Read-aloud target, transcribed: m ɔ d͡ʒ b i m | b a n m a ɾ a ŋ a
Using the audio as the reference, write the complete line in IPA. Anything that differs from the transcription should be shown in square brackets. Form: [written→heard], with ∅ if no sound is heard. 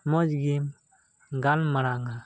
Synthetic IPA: m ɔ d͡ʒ [b→ɡ] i m | [b→ɡ] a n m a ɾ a ŋ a